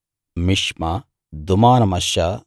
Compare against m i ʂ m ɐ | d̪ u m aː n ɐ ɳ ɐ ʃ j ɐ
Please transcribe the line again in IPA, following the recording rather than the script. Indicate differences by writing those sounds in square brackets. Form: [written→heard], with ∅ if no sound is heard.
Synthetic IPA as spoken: m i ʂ m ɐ | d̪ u m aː n ɐ [ɳ→m] ɐ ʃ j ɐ